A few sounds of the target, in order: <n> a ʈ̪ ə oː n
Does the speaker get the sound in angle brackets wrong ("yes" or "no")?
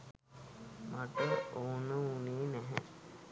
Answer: yes